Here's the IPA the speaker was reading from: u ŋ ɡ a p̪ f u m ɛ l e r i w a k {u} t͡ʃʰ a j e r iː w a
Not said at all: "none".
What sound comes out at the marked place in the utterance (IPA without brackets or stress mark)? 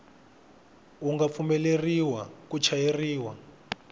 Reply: u